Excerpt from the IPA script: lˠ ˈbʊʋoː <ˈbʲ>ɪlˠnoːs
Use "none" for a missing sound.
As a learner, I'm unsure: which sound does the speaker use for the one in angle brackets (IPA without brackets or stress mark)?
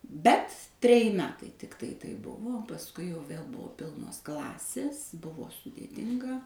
pʲ